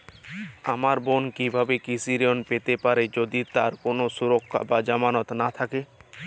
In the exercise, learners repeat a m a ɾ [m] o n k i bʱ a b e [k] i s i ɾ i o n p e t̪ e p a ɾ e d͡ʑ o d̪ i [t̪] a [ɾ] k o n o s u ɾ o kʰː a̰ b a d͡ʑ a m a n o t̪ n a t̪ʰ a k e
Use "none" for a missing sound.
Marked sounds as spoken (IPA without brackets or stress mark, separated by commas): b, k, t̪, ɾ